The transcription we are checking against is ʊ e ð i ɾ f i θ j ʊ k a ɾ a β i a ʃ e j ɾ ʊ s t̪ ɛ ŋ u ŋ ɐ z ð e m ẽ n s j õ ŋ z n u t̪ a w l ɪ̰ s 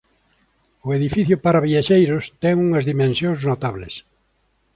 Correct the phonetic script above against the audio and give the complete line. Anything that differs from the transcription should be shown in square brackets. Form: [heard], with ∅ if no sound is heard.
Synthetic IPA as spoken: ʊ e ð i [∅] f i θ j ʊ [p] a ɾ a β i a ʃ e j ɾ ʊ s t̪ ɛ ŋ u ŋ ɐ z ð [i] m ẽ n s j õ ŋ z n [o] t̪ a [β] l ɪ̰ s